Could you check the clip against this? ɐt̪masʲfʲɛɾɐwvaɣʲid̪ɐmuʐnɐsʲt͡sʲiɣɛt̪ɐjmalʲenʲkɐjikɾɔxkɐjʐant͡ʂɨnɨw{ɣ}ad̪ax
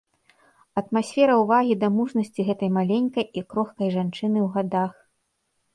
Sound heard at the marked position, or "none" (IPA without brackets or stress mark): ɣ